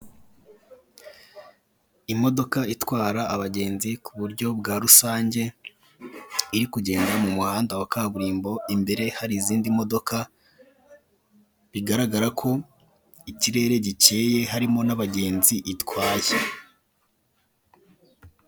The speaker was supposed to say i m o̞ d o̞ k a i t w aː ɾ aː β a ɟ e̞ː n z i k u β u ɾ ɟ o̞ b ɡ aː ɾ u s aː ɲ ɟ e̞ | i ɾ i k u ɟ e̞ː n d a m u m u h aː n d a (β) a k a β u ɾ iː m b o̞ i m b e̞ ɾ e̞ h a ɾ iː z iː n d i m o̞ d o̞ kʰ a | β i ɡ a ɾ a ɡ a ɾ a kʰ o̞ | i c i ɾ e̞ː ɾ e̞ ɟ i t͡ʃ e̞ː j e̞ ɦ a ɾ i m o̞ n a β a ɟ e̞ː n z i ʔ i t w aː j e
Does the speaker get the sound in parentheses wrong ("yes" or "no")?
yes